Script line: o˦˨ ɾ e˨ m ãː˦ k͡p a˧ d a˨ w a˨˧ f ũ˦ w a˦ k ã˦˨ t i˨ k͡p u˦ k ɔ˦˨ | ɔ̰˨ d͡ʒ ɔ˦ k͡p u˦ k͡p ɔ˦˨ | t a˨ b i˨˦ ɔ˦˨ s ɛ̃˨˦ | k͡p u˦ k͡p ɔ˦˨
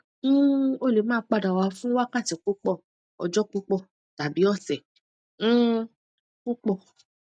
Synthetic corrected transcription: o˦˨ l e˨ m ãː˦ k͡p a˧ d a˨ w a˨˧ f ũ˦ w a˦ k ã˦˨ t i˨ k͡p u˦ k͡p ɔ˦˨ | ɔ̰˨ d͡ʒ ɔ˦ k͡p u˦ k͡p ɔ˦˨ | t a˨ b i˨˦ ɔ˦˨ s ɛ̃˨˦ | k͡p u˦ k͡p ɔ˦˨